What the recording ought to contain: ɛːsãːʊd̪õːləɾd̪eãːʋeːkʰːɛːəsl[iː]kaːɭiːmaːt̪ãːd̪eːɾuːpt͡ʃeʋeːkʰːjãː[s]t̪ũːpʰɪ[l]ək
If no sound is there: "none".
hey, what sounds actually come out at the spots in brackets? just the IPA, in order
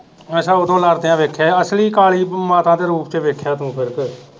iː, none, ɾ

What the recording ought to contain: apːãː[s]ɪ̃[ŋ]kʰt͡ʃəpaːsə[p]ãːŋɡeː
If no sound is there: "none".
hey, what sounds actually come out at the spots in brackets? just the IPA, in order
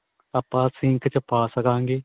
s, ŋ, k

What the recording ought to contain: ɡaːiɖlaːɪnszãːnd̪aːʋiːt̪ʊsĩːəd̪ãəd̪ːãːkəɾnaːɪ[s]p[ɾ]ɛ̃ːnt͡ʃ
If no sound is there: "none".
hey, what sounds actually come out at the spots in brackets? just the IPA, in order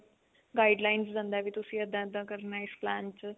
s, l

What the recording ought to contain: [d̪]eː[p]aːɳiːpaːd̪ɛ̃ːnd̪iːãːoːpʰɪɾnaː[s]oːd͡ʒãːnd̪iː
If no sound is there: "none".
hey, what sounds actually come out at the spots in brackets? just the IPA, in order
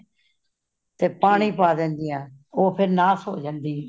t̪, p, s

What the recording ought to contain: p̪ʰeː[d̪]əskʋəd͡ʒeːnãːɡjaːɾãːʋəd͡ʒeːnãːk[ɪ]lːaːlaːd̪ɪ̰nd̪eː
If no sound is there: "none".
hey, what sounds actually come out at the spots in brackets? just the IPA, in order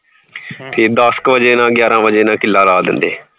d̪, ɪ

